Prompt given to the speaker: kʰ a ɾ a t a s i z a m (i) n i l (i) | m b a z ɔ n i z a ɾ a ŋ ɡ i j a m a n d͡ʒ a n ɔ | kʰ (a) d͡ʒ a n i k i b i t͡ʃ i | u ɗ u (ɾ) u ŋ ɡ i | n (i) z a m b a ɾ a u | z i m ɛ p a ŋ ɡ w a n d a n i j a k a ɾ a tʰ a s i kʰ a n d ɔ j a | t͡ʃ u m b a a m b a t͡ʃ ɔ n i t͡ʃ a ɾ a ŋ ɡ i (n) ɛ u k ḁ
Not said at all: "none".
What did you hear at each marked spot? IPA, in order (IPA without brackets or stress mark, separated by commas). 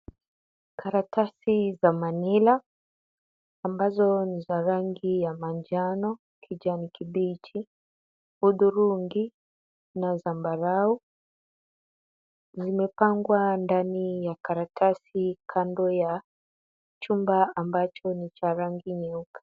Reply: a, a, i, ɾ, a, ɲ